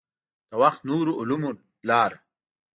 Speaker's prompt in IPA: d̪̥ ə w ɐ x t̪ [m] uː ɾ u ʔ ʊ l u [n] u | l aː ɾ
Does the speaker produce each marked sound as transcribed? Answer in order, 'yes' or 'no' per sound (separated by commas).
no, no